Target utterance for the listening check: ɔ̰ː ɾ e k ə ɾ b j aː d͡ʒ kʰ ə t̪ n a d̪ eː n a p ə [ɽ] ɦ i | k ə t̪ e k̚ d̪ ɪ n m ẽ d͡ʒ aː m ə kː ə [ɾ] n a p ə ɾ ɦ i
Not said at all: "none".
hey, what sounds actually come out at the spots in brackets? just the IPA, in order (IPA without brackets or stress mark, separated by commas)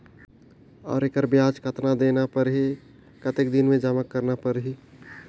ɾ, ɾ